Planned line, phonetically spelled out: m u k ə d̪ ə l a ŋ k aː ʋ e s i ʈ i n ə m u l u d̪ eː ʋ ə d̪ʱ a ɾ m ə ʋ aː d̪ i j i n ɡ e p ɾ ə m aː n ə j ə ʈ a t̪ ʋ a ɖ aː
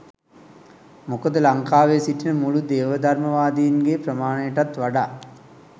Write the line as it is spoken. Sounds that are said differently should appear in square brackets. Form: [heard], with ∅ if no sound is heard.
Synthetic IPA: m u k ə d̪ ə l a ŋ k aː ʋ e s i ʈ i n ə m u l u d̪ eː ʋ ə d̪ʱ a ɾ m ə ʋ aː d̪ i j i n ɡ e p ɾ ə m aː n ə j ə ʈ a t̪ ʋ a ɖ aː